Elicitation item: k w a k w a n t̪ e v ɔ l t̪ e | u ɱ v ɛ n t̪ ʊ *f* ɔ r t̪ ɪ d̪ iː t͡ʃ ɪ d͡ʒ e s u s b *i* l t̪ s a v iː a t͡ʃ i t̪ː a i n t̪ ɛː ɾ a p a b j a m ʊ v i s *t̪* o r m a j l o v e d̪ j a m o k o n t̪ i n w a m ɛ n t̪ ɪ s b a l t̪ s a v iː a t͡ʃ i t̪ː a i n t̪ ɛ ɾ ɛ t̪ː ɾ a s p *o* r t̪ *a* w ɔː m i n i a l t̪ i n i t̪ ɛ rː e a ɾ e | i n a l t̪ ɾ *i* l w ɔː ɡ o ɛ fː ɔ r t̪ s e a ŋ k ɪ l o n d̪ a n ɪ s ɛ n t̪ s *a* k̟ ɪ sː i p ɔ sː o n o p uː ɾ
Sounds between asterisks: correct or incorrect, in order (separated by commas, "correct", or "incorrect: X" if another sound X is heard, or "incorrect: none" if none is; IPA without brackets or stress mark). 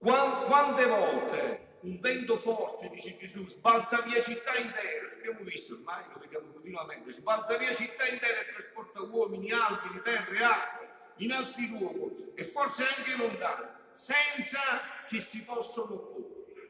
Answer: correct, incorrect: a, correct, incorrect: ɔ, correct, correct, correct